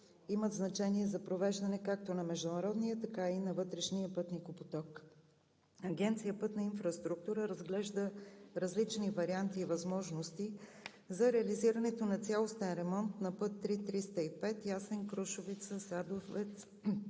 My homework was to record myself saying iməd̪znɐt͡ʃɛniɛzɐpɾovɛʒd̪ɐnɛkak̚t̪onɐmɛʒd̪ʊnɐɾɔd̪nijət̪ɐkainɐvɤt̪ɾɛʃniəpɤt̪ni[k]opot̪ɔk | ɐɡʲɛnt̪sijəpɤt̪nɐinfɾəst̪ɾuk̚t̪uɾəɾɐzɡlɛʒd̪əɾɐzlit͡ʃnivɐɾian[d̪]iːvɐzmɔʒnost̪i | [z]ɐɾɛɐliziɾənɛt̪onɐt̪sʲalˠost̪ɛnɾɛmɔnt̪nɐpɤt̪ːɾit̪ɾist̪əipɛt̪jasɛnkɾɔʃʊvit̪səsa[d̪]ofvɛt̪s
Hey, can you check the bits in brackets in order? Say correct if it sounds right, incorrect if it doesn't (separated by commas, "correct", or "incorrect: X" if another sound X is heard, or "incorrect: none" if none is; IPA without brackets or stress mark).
correct, incorrect: t̪, correct, correct